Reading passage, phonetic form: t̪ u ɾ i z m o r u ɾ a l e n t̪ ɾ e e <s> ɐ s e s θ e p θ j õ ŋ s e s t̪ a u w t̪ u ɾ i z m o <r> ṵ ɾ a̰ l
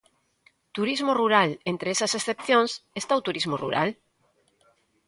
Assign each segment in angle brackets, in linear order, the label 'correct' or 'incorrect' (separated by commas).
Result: correct, correct